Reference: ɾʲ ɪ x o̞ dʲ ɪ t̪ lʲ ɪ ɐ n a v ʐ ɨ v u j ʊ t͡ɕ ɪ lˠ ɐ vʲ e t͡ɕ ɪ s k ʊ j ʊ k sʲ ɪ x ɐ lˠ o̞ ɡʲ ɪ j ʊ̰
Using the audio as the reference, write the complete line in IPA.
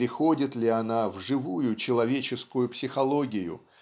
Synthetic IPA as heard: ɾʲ ɪ x o̞ dʲ ɪ t̪ lʲ ɪ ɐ n a v ʐ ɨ v u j ʊ t͡ɕ ɪ lˠ ɐ vʲ e t͡ɕ ɪ s k ʊ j ʊ p sʲ ɪ x ɐ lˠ o̞ ɡʲ ɪ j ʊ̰